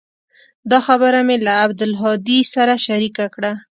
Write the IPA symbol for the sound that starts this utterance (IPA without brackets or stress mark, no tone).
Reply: d̪